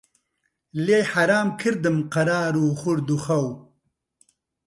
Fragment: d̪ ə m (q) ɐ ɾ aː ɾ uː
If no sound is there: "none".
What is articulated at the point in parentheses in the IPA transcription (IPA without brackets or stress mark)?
q